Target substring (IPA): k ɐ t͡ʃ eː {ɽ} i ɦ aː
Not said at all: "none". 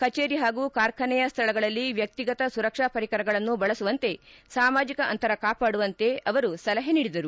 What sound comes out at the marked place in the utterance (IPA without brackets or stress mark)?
ɾ